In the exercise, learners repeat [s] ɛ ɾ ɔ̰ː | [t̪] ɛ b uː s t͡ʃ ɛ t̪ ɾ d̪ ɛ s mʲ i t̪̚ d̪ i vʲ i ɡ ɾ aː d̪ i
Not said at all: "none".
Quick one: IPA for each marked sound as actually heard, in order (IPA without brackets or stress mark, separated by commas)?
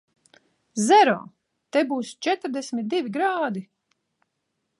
z, t̪